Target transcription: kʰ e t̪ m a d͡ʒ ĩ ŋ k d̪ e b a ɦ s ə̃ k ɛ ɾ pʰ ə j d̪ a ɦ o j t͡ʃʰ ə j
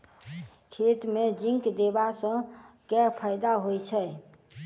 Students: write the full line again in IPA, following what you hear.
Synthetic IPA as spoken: kʰ e t̪ m e d͡ʒ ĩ ŋ k d̪ e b a s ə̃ k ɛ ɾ pʰ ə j d̪ a ɦ o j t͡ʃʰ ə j

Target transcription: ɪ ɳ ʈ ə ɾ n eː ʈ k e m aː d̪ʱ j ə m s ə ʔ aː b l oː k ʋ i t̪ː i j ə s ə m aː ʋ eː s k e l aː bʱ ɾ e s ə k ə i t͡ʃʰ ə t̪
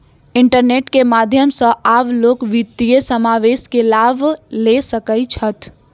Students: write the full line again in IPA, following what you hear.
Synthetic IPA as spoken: ɪ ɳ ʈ ə ɾ n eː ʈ k e m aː d̪ʱ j ə m s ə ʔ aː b l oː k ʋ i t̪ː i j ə s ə m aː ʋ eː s k e l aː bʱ l e s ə k ə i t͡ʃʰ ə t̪

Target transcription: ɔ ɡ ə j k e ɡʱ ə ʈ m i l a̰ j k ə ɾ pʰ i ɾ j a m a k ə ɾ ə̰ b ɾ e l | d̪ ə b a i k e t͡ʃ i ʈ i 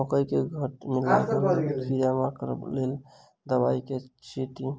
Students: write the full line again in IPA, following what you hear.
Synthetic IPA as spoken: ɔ k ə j k e ɡʱ ə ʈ m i l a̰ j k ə ɾ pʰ i ɾ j a m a k ə ɾ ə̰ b l e l | d̪ ə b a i k e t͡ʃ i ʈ i

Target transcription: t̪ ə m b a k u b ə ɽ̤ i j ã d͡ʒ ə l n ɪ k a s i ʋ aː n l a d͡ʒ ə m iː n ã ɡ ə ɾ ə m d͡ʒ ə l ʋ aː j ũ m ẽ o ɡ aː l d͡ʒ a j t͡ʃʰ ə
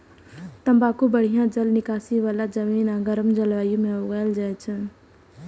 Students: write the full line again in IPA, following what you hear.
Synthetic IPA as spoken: t̪ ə m b a k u b ə ɽ̤ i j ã d͡ʒ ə l n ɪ k a s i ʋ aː l a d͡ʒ ə m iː n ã ɡ ə ɾ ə m d͡ʒ ə l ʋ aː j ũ m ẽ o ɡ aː l d͡ʒ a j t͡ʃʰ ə

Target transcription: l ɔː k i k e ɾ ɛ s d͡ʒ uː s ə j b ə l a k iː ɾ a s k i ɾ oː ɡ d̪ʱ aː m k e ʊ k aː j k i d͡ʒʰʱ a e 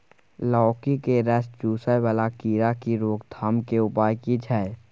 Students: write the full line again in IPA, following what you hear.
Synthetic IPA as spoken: l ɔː k i k e ɾ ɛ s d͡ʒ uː s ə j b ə l a k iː ɾ a k i ɾ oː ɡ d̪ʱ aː m k e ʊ p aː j k i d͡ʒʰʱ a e

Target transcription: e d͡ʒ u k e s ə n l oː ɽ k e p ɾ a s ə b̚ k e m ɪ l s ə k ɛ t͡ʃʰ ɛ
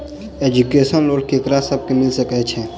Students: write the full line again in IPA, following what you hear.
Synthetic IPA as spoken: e d͡ʒ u k e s ə n l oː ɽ k e k ɾ a s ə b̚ k e m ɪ l s ə k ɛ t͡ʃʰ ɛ

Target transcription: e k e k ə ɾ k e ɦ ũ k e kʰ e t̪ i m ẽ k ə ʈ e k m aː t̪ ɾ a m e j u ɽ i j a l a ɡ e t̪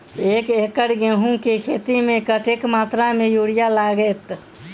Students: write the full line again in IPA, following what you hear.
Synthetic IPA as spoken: e k e k ə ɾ ɡ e ɦ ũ k e kʰ e t̪ i m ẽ k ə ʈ e k m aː t̪ ɾ a m e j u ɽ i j a l a ɡ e t̪

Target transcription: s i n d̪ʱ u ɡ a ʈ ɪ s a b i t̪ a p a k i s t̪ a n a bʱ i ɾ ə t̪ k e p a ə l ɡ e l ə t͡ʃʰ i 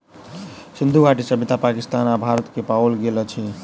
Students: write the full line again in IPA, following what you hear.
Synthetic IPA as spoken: s i n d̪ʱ u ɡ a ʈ i s ə b i t̪ a p a k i s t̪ a n a bʱ a ɾ ə t̪ k e p a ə l ɡ e l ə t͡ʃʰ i

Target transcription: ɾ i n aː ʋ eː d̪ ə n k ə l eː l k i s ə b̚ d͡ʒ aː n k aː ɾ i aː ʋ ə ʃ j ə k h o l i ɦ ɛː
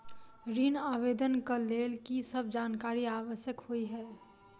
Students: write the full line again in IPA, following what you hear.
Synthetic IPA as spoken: ɾ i n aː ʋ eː d̪ ə n k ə l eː l k i s ə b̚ d͡ʒ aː n k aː ɾ i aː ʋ ə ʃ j ə k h o i ɦ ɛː

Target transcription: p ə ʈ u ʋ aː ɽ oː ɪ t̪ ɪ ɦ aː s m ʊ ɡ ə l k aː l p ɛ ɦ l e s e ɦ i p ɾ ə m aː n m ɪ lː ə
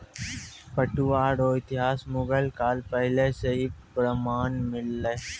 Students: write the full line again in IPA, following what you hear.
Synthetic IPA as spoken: p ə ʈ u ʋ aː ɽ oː ɪ t̪ ɪ ɦ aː s m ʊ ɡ ə l k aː l p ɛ ɦ l e s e ɦ i p ɾ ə m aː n m ɪ lː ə

